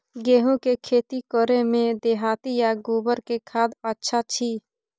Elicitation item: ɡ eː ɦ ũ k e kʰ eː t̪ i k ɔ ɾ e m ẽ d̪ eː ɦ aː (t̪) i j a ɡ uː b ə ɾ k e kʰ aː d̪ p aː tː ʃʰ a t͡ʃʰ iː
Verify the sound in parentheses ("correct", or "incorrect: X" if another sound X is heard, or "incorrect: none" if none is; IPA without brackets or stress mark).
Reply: correct